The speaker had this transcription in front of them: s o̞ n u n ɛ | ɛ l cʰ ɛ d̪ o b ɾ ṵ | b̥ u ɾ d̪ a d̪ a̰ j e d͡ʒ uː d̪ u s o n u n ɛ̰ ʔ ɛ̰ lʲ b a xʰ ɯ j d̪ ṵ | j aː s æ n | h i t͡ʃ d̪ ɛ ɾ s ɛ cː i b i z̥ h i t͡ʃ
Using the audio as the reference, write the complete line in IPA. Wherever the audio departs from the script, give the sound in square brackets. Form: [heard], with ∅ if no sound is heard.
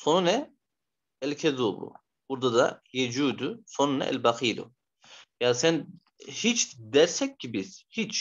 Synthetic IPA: s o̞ n u n ɛ | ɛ l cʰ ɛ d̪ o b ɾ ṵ | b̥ u ɾ d̪ a d̪ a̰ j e d͡ʒ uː d̪ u s o n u n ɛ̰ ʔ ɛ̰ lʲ b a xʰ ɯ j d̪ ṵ | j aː s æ n | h i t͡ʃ d̪ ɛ ɾ s ɛ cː i b i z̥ h i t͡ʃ

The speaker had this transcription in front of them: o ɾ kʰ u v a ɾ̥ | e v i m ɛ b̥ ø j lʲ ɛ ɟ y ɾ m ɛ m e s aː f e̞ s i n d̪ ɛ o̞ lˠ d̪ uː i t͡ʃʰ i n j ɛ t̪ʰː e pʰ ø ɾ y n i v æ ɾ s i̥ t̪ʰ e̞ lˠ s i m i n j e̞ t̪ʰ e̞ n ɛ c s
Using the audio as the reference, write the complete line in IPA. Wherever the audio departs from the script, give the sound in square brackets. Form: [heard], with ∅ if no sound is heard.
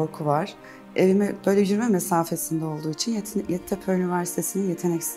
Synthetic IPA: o ɾ kʰ u v a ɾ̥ | e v i m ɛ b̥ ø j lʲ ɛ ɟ y ɾ m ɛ m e s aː f e̞ s i n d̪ ɛ o̞ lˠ d̪ uː i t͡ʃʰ i n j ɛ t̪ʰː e pʰ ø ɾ y n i v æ ɾ s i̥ t̪ʰ e̞ [∅] s i [n] i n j e̞ t̪ʰ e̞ n ɛ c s

